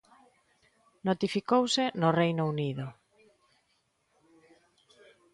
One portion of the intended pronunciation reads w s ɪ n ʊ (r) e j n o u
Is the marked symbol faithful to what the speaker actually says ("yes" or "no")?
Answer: yes